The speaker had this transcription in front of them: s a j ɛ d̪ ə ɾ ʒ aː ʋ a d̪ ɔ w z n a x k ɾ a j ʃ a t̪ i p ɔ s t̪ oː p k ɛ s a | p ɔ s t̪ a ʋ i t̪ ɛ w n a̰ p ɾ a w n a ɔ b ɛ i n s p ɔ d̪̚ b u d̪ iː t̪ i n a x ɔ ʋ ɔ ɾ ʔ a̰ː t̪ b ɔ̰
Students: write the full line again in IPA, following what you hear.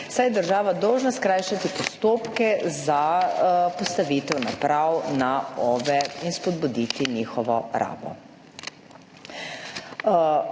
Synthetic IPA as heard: s a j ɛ d̪ ə ɾ ʒ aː ʋ a d̪ ɔ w ʒ n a s k ɾ a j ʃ a t̪ i p ɔ s t̪ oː p k ɛ z a | p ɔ s t̪ a ʋ i t̪ ɛ w n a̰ p ɾ a w n a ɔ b ɛ i n s p ɔ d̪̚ b u d̪ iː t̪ i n i x ɔ ʋ ɔ ɾ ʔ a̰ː b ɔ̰